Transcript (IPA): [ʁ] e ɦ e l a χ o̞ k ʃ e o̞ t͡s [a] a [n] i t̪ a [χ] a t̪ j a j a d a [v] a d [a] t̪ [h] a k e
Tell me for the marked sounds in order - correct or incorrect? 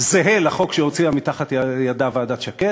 incorrect, incorrect, incorrect, correct, correct, correct, incorrect

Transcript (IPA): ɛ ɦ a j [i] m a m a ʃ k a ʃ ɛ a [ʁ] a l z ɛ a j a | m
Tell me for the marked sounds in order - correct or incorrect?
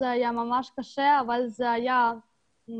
incorrect, incorrect

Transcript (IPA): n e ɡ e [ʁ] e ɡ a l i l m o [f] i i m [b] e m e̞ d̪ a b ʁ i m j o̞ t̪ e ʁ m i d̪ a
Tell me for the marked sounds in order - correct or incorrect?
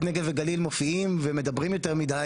incorrect, correct, incorrect

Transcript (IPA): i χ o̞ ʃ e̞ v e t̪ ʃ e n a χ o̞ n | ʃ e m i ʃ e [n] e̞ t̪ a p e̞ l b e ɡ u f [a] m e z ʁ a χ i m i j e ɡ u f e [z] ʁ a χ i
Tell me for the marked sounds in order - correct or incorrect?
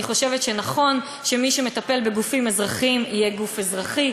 incorrect, incorrect, correct

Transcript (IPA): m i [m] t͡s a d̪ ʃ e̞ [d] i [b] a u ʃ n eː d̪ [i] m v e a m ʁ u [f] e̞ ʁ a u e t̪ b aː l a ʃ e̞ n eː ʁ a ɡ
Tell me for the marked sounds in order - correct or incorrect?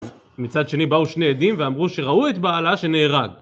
incorrect, incorrect, correct, correct, incorrect

